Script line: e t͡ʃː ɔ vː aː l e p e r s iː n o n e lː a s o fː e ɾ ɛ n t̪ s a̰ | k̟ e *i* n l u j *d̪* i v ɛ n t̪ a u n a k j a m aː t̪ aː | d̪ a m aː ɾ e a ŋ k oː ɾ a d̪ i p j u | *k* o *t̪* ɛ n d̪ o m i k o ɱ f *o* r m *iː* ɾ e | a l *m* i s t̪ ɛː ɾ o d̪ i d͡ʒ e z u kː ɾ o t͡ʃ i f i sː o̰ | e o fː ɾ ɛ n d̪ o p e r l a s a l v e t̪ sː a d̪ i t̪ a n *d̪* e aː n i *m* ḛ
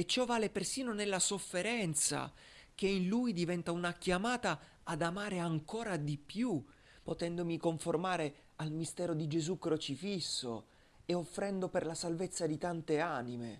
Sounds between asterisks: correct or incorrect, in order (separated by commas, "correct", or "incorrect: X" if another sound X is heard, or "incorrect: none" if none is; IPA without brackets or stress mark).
correct, correct, incorrect: p, correct, correct, incorrect: aː, correct, incorrect: t̪, correct